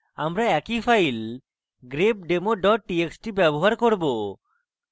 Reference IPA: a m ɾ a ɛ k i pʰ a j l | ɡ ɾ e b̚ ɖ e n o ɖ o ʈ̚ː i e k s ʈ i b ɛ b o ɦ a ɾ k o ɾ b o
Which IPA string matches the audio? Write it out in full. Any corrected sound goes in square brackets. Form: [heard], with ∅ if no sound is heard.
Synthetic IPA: a m ɾ a ɛ k i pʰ a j l | ɡ ɾ e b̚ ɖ e [m] o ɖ [ɔ] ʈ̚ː i e k s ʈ i b ɛ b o ɦ a ɾ k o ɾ b o